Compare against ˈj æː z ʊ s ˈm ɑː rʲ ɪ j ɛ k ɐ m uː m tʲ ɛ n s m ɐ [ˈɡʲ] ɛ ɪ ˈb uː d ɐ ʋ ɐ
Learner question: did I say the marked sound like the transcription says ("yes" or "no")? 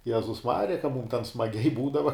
yes